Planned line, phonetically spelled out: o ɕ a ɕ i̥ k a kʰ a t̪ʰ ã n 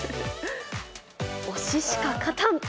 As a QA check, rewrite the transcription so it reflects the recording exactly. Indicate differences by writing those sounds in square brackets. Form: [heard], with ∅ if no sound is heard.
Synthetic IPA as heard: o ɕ [i] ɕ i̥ k a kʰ a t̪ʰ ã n